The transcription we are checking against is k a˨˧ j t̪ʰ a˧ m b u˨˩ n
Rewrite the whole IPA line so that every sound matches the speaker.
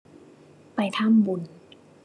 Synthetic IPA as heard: p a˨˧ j t̪ʰ a˥˨ m b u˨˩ n